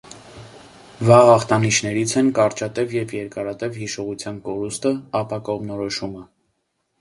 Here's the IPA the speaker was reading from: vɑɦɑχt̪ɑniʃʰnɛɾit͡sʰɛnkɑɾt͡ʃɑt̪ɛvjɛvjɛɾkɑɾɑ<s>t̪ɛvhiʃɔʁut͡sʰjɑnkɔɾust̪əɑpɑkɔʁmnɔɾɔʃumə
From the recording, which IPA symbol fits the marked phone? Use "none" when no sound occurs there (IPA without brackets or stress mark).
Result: none